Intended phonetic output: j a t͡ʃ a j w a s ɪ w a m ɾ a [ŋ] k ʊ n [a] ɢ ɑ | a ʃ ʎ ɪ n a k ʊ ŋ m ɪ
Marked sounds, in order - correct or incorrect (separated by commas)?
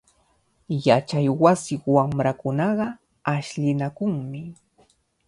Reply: incorrect, incorrect